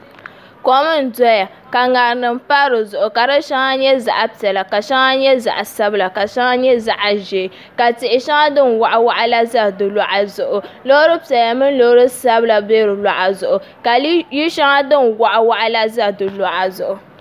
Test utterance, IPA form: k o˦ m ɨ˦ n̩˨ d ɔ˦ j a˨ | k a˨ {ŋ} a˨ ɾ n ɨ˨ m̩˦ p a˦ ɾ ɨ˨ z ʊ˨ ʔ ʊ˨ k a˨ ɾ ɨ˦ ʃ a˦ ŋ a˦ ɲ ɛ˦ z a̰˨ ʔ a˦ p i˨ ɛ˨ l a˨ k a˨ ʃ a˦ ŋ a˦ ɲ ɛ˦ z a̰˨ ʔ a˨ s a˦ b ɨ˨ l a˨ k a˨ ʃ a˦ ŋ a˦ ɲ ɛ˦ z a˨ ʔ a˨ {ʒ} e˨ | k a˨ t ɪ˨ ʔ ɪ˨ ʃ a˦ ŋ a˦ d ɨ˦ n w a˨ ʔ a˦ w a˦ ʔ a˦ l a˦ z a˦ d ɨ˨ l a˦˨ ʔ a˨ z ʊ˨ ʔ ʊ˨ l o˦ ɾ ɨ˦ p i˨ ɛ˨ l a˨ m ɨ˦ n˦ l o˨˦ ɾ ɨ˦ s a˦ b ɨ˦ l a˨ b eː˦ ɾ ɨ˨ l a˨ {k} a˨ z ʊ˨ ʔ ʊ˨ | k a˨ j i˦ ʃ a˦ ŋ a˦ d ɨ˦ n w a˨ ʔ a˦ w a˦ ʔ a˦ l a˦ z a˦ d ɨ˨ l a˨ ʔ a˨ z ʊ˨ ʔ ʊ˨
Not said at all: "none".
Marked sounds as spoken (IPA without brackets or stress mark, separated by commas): ŋ, ʒ, ʔ